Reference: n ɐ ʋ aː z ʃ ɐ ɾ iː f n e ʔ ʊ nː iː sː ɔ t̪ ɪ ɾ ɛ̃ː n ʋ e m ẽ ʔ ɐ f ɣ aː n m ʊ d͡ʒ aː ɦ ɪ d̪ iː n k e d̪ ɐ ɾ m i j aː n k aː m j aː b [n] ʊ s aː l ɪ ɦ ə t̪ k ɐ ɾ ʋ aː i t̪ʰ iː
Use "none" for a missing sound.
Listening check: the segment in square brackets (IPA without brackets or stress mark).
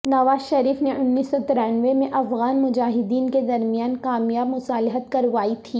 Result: m